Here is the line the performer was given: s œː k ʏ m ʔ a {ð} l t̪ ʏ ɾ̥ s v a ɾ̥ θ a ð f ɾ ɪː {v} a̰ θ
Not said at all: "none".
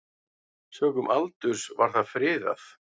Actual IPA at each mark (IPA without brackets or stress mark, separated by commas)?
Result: none, ð